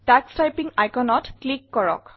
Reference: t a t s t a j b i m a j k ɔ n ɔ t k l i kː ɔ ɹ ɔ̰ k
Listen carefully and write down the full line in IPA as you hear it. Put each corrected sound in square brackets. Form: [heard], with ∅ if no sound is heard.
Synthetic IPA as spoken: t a [k] s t a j [p] i [ŋ] a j k ɔ n ɔ t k l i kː ɔ ɹ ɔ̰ k